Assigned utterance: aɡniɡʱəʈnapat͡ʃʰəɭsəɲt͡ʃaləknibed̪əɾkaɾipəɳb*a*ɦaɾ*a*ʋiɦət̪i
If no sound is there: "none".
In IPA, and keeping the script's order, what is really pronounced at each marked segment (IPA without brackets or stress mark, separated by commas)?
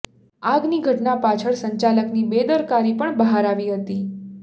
ə, a